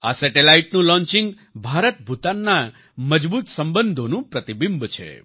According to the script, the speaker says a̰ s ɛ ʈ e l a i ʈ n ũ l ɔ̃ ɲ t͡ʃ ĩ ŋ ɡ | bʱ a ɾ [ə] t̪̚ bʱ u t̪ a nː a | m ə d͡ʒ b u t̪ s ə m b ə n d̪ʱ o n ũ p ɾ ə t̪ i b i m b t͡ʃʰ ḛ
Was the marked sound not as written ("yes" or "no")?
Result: no